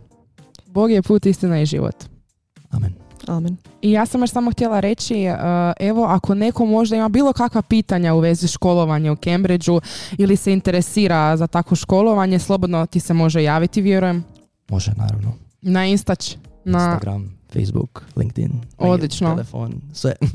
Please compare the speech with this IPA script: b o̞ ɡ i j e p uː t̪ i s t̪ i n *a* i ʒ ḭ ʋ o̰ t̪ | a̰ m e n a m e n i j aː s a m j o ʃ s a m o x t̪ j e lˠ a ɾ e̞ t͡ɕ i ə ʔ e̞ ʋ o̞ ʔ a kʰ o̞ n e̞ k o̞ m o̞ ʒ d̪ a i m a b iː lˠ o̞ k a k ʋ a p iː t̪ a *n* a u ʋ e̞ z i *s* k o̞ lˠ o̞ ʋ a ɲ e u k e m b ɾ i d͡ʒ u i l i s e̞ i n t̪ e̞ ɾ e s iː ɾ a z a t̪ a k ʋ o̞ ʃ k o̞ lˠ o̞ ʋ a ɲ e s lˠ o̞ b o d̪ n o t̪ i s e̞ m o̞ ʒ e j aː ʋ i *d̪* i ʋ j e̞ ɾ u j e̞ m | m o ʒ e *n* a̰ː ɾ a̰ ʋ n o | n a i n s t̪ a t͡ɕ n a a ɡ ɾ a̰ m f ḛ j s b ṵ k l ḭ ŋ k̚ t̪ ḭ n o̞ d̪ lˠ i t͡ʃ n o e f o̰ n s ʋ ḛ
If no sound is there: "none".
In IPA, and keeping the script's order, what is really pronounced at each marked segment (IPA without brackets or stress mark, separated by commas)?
a, ɲ, ʃ, t̪, n